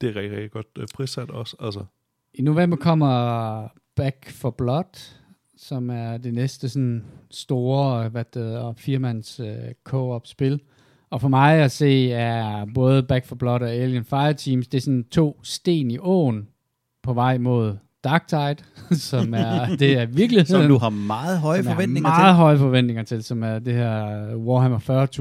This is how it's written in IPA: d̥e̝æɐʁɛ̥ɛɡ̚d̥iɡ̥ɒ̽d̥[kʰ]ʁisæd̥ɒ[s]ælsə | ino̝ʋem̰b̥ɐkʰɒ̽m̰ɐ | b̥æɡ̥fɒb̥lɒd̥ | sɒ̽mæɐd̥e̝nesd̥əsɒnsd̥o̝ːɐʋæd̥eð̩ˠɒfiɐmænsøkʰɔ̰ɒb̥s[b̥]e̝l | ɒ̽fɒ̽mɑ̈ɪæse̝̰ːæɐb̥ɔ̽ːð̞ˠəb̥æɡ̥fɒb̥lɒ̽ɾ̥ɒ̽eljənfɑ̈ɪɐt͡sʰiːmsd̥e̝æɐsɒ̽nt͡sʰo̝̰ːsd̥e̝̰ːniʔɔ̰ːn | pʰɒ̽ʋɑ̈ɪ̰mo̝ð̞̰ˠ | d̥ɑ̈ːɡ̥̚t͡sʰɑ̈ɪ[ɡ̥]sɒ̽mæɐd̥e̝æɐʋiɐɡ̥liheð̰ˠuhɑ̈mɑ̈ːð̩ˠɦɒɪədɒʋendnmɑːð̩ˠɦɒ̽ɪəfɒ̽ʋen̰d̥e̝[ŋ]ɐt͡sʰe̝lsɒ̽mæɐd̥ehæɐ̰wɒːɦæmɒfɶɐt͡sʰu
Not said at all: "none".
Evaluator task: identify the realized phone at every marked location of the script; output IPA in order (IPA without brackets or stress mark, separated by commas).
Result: pʰ, s, b̥, d̥, ŋ